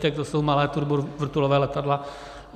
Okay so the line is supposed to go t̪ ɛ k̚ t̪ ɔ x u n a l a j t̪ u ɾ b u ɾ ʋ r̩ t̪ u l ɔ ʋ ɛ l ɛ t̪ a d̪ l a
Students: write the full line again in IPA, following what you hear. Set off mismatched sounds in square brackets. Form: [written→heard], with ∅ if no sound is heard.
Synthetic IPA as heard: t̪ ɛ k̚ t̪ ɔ [x→s] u [n→m] a l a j t̪ u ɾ b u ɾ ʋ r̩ t̪ u l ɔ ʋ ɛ l ɛ t̪ a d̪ l a